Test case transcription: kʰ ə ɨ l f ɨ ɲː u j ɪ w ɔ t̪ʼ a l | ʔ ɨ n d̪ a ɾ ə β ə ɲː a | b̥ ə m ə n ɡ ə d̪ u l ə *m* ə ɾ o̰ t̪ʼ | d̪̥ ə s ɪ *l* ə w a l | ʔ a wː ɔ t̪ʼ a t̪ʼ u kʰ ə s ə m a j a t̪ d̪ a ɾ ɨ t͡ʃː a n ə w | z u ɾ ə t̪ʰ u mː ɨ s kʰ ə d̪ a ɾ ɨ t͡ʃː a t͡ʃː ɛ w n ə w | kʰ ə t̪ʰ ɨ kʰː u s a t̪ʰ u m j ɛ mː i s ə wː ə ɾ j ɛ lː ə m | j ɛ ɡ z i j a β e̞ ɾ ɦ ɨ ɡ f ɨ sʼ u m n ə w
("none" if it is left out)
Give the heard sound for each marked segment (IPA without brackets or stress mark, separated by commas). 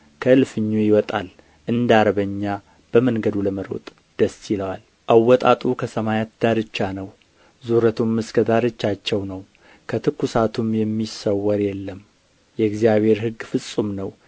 m, l